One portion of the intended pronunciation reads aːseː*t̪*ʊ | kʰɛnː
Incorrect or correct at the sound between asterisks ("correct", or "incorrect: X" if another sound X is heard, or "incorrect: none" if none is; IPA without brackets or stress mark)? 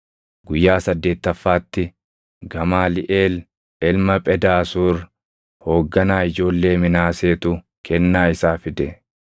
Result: correct